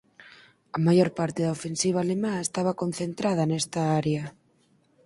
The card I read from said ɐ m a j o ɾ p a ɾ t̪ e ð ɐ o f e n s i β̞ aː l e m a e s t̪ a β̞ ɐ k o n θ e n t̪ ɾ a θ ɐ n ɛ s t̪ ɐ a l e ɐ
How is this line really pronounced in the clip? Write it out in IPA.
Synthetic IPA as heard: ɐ m a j o ɾ p a ɾ t̪ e ð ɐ o f e n s i β̞ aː l e m a e s t̪ a β̞ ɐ k o n θ e n t̪ ɾ a ð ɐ n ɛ s t̪ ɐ a ɾ e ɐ